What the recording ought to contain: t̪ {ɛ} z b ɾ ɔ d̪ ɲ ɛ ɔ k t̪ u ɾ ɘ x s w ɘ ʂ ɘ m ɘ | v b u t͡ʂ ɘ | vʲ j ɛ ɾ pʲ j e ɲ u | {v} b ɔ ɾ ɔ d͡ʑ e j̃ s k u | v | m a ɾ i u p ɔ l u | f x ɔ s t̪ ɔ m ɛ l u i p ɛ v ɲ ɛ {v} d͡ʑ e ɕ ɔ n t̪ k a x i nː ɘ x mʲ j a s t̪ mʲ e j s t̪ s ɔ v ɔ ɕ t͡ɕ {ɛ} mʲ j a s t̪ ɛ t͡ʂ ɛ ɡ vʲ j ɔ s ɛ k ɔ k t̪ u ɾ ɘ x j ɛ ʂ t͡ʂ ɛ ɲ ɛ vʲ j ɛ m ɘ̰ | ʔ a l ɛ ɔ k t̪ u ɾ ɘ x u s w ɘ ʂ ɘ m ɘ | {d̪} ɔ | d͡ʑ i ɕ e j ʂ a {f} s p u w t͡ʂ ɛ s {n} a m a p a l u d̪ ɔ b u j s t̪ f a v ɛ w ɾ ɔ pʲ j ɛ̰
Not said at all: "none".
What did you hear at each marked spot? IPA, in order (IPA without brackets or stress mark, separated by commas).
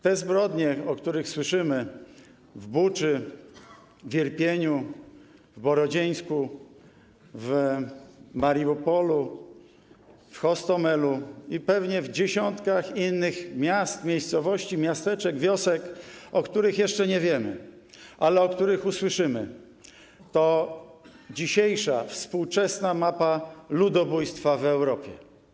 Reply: ɛ, v, v, i, t̪, f, n